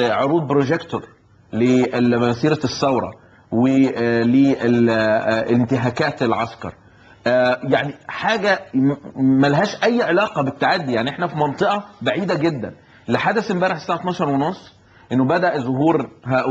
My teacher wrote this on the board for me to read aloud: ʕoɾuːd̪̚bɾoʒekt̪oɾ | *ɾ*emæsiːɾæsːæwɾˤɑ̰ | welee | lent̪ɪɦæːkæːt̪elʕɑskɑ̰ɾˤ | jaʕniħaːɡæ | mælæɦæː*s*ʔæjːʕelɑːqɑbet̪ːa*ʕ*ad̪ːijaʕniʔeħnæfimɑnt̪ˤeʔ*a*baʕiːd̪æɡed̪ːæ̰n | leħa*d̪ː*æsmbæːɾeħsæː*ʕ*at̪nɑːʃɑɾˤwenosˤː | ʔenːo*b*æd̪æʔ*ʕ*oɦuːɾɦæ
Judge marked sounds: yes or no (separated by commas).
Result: no, no, yes, no, no, yes, yes, no